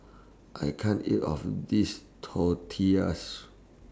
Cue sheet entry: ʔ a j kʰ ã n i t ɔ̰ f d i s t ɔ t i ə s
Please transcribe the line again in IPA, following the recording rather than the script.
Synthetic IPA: ʔ a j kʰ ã n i t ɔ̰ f d i s tʰ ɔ tʰ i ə s